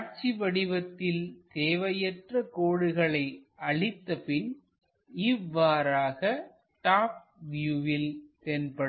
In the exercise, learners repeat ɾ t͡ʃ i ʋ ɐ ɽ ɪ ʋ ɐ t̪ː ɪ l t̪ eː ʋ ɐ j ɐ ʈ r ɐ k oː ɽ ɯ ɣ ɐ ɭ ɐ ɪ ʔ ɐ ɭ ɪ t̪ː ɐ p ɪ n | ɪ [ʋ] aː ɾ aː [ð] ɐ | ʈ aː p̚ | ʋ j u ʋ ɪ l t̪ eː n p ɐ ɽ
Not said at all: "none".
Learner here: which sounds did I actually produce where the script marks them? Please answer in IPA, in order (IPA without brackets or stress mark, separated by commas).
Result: ʋː, ɣ